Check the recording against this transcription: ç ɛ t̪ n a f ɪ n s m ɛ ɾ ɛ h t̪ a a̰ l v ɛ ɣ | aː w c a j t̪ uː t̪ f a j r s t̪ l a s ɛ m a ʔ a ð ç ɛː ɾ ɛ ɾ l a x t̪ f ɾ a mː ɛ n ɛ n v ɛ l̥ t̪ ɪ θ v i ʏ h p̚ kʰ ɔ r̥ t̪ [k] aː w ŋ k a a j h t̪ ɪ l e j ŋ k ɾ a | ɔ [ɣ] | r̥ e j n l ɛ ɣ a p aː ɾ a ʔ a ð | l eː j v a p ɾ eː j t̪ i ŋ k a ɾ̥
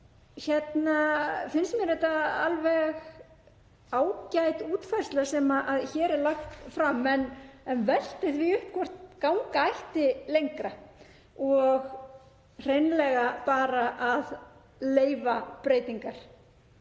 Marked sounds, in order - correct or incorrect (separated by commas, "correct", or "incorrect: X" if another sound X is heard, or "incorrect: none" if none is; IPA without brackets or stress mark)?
correct, correct